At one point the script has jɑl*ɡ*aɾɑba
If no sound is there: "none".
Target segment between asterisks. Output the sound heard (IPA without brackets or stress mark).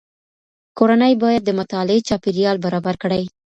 b